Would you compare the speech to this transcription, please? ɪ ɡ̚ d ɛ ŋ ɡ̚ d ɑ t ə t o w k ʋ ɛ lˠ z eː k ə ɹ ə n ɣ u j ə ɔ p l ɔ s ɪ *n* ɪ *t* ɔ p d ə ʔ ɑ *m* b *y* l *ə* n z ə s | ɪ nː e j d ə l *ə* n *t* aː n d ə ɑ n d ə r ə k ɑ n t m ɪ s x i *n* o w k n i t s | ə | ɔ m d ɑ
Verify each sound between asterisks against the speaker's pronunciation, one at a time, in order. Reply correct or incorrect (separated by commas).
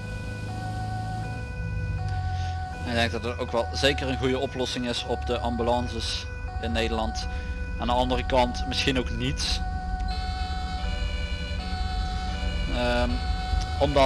incorrect, incorrect, correct, correct, incorrect, incorrect, correct, correct